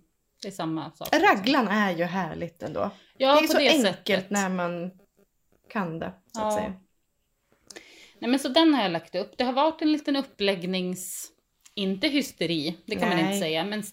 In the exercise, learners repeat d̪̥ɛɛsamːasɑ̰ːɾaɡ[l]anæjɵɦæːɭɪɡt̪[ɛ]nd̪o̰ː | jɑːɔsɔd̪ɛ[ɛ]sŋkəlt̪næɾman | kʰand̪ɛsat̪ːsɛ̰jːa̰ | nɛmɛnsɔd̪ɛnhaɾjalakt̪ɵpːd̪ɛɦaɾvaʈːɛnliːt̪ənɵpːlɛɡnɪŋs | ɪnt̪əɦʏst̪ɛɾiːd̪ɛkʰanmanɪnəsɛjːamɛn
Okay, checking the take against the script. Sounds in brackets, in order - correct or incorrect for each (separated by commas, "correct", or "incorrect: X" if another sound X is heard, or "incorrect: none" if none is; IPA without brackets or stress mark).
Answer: correct, correct, correct